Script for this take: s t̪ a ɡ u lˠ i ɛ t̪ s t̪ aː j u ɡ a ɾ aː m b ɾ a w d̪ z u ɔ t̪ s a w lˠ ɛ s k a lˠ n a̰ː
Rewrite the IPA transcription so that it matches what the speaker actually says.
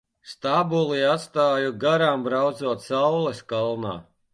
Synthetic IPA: s t̪ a b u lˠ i a t̪ s t̪ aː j u ɡ a ɾ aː m b ɾ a w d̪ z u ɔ t̪ s a w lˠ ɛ s k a lˠ n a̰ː